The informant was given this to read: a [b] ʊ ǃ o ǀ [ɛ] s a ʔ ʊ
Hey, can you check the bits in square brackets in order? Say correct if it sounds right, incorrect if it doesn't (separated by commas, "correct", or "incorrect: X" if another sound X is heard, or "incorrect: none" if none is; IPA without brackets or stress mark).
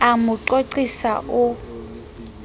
incorrect: m, incorrect: i